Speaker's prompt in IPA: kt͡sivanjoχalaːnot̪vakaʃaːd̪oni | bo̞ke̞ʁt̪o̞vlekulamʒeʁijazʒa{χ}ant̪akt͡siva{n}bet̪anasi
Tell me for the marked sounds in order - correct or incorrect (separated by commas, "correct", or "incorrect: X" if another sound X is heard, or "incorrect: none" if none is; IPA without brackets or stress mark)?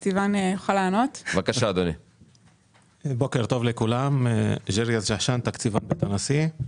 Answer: incorrect: ʃ, correct